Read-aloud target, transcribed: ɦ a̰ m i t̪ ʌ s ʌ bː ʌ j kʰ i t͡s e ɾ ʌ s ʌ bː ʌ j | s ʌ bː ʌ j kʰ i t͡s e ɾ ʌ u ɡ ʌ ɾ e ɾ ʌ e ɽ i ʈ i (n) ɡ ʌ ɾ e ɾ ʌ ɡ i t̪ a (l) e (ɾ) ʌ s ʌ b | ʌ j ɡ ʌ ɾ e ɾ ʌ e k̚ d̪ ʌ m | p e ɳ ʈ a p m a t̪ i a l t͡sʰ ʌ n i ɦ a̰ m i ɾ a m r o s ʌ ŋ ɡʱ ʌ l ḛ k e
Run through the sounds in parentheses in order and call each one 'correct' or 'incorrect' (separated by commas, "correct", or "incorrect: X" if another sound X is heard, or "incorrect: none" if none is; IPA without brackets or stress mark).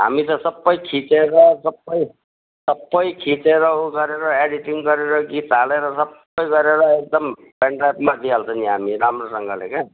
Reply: incorrect: ŋ, correct, correct